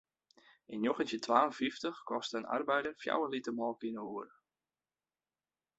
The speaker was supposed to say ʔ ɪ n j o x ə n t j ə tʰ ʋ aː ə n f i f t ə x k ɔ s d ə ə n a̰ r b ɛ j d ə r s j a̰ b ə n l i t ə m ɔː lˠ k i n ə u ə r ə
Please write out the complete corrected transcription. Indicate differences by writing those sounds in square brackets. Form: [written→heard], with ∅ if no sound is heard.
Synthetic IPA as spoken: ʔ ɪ n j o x ə n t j ə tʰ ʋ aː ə n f i f t ə x k ɔ s [d→t] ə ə n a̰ r b ɛ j d ə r [s→f] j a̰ [b→w] ə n l i t ə m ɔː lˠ k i n ə u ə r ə

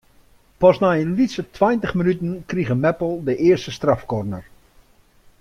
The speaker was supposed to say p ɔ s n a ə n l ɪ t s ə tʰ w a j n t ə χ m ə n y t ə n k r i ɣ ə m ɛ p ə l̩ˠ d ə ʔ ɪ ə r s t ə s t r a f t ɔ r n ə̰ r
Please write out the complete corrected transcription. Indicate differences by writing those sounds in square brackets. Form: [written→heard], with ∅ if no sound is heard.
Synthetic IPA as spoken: p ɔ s n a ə n l [ɪ→i] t s ə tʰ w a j n t ə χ m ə n y t ə n k r i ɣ ə m ɛ p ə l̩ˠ d ə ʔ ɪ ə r s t ə s t r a f [t→k] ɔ r n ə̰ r

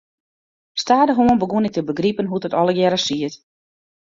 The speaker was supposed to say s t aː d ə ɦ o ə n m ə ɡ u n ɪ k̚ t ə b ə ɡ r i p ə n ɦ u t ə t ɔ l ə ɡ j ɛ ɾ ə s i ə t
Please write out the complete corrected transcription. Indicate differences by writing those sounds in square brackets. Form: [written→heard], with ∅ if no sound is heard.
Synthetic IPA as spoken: s t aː d ə ɦ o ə n [m→b] ə ɡ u n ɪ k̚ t ə b ə ɡ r i p ə n ɦ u t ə t ɔ l ə ɡ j ɛ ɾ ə s i ə t

